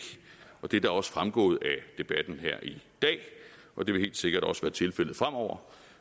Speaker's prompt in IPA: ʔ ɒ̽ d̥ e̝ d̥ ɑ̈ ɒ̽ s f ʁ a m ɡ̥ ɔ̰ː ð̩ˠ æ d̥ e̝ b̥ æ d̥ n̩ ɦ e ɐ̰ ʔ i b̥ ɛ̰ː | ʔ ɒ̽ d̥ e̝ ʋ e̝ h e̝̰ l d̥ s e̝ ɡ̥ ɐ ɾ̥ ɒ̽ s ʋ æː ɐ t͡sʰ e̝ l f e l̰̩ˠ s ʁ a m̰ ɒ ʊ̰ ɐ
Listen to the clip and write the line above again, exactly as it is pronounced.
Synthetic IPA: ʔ ɒ̽ d̥ e̝ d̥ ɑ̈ ɒ̽ s f ʁ a m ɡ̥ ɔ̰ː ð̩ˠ æ d̥ e̝ b̥ æ d̥ n̩ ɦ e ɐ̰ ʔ i d̥ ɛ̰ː | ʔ ɒ̽ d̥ e̝ ʋ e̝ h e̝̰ l d̥ s e̝ ɡ̥ ɐ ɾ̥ ɒ̽ s ʋ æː ɐ t͡sʰ e̝ l f e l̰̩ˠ f ʁ a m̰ ɒ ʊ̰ ɐ